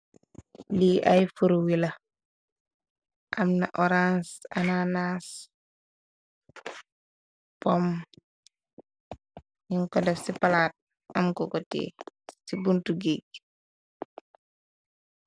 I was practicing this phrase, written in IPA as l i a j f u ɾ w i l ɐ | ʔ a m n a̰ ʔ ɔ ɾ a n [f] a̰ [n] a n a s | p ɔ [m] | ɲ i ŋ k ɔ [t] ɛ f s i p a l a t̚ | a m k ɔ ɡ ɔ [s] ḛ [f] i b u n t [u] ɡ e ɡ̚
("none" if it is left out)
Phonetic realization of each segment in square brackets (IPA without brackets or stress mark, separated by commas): s, n, m, d, t, s, u